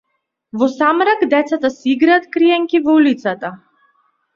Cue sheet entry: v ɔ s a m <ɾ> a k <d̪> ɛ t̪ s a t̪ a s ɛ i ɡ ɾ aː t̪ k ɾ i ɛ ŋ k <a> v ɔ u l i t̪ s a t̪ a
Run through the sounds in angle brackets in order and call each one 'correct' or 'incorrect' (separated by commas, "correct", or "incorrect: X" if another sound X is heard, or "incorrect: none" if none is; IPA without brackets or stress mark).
correct, correct, incorrect: i